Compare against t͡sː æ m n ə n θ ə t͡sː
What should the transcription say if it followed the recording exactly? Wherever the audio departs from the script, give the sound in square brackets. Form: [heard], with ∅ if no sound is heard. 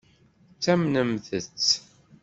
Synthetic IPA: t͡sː æ m n ə [m] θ ə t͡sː